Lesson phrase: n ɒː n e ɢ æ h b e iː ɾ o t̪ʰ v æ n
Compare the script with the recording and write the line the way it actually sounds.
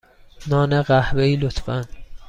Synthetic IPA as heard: n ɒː n e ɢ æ h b e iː l o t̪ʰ f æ n